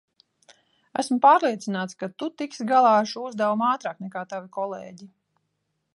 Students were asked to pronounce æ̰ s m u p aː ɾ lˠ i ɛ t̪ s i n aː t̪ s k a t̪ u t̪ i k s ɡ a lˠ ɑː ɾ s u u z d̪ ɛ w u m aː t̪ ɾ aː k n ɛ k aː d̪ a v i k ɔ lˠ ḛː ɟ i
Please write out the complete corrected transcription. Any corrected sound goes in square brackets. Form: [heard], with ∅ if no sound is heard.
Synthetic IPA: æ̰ s m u p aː ɾ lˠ i ɛ t̪ s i n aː t̪ s k a t̪ u t̪ i k s ɡ a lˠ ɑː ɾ [ʃ] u u z d̪ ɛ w u m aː t̪ ɾ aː k n ɛ k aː [t̪] a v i k ɔ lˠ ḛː ɟ i